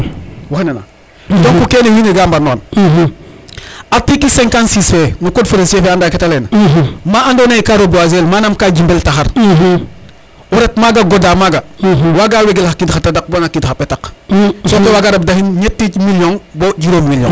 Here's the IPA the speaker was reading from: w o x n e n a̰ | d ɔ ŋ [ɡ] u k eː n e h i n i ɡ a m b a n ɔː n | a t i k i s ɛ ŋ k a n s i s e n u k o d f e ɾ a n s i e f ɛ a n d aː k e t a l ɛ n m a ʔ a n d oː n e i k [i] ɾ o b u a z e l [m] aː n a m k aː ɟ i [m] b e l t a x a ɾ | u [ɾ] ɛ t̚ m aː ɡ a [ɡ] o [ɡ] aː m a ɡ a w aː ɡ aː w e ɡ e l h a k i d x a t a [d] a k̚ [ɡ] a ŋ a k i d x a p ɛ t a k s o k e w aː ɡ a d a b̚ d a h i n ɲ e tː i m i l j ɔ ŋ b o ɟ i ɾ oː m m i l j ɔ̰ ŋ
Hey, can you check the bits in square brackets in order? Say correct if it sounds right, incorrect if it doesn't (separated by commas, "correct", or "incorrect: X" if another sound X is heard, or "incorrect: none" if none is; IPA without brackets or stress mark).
incorrect: k, incorrect: a, correct, correct, correct, correct, incorrect: d, correct, incorrect: b